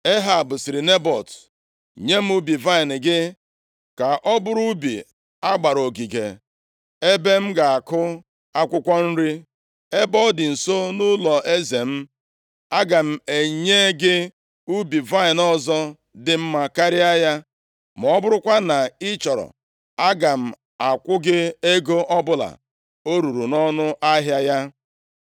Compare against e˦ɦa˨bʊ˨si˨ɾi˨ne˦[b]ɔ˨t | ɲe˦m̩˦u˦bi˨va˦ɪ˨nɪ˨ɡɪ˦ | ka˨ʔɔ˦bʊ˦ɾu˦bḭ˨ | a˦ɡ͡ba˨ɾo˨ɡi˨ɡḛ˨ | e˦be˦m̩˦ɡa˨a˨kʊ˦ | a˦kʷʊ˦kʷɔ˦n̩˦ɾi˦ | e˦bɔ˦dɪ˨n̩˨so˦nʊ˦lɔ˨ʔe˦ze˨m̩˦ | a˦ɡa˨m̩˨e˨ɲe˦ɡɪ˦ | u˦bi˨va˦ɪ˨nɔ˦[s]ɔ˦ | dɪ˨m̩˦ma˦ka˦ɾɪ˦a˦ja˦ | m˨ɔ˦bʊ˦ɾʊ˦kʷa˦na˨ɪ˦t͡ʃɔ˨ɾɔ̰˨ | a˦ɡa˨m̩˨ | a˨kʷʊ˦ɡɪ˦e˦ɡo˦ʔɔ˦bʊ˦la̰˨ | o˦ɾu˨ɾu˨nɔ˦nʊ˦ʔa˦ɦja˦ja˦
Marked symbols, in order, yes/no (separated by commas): yes, no